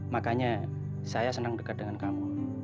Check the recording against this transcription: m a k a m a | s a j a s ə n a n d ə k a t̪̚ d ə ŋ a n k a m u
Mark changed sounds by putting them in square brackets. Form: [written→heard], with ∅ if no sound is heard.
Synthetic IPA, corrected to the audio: m a k a [m→ɲ] a | s a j a s ə n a [n→ŋ] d ə k a t̪̚ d ə ŋ a n k a m u